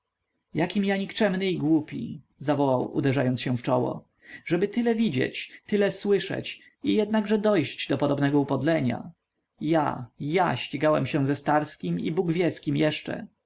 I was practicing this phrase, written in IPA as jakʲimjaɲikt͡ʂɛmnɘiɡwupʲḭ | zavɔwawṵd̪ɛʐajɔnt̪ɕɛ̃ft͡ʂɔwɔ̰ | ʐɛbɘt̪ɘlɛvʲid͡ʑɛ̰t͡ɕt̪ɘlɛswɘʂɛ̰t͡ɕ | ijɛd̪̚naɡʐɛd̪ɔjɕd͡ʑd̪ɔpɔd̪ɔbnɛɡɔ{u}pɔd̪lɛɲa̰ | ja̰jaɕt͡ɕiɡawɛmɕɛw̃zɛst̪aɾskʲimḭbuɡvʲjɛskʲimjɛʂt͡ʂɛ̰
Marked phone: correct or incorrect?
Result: correct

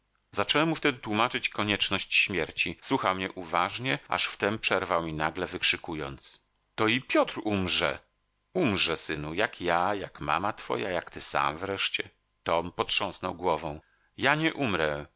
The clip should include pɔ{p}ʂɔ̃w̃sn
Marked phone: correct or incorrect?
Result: incorrect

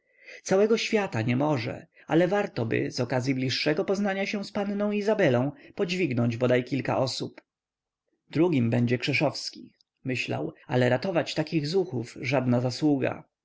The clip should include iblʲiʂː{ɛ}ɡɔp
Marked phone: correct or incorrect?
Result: correct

